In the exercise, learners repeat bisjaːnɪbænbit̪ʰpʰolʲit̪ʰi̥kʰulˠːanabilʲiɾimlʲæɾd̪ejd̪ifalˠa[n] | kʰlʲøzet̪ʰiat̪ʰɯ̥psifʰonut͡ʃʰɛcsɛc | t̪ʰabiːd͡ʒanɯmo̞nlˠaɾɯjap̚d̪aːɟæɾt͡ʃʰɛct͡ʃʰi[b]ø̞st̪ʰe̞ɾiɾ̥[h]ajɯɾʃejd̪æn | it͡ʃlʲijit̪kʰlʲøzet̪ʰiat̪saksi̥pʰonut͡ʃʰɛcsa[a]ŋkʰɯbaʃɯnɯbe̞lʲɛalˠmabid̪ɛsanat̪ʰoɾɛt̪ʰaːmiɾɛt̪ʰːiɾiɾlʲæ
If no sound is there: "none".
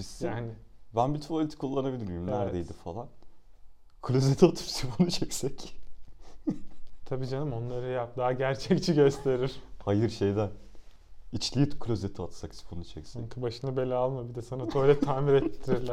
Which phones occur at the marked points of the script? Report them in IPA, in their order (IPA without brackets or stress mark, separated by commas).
n, ɟ, h, ɛ